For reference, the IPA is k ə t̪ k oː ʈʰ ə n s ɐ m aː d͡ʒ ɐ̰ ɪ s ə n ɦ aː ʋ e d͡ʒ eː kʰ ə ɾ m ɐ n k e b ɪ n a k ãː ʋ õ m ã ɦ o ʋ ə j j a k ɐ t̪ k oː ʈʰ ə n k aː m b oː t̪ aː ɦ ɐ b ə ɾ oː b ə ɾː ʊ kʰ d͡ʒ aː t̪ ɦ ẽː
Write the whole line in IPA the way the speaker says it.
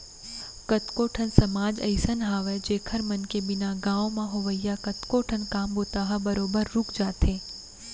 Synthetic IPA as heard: k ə t̪ k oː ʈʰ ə n s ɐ m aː d͡ʒ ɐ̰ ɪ s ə n ɦ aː ʋ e d͡ʒ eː kʰ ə ɾ m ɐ n k e b ɪ n a ɡ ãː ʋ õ m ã ɦ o ʋ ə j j a k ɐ t̪ k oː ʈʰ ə n k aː m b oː t̪ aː ɦ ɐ b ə ɾ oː b ə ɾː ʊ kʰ d͡ʒ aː t̪ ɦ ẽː